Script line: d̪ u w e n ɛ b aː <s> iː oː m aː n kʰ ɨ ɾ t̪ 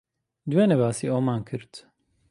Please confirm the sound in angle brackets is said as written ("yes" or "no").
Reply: yes